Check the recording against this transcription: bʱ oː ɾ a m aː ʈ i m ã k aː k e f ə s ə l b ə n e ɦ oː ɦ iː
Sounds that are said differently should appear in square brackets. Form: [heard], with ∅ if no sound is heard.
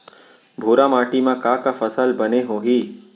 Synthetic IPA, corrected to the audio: bʱ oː ɾ a m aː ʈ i m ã k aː k [a] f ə s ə l b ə n e ɦ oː ɦ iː